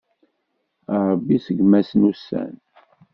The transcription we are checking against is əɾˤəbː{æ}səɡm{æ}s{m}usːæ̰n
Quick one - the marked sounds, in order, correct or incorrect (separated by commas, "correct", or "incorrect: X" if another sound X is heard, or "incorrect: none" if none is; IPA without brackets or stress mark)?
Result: incorrect: i, correct, incorrect: n